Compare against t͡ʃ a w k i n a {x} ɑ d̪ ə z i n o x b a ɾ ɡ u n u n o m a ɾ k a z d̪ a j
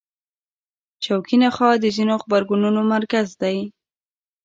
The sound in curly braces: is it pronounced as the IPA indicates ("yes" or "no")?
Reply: yes